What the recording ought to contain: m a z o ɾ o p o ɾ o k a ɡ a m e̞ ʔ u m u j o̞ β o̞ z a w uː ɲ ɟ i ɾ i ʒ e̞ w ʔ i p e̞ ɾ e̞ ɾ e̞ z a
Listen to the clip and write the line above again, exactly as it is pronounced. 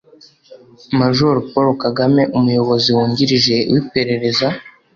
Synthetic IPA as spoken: m a ʒ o ɾ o p o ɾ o k a ɡ a m e̞ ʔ u m u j o̞ β o̞ z i w uː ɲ ɟ i ɾ i ʒ e̞ w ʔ i p e̞ ɾ e̞ ɾ e̞ z a